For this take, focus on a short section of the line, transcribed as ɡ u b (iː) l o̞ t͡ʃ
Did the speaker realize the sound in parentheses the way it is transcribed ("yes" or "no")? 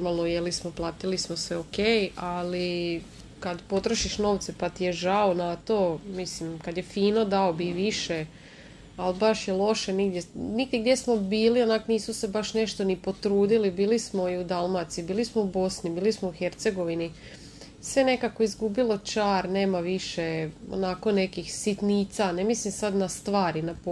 no